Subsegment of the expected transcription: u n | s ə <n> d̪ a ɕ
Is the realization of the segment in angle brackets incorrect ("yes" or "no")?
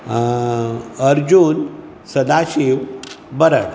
yes